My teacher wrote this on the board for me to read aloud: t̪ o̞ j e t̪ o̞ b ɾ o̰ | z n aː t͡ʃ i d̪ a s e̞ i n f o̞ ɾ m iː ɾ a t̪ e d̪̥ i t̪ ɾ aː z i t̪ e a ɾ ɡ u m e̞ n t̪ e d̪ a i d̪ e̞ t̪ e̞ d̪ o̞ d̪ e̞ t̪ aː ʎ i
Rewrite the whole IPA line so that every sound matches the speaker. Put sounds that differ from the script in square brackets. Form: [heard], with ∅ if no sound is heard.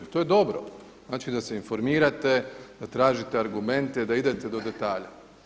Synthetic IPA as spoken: t̪ o̞ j e [d̪] o̞ b ɾ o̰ | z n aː t͡ʃ i d̪ a s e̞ i n f o̞ ɾ m iː ɾ a t̪ e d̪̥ [a] t̪ ɾ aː [ʒ] i t̪ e a ɾ ɡ u m e̞ n t̪ e d̪ a i d̪ e̞ t̪ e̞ d̪ o̞ d̪ e̞ t̪ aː ʎ [a]